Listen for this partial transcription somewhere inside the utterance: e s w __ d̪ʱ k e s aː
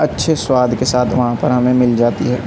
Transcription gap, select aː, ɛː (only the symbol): aː